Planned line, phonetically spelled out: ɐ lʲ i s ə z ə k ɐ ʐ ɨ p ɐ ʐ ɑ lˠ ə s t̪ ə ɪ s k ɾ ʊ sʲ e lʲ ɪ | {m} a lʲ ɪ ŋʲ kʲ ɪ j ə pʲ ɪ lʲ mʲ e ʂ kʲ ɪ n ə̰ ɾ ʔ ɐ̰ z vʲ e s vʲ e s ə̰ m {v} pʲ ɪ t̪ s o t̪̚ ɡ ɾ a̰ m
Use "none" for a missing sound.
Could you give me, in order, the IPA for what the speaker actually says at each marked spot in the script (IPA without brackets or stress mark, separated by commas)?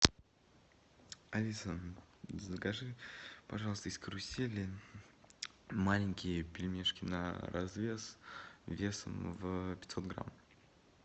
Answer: m, v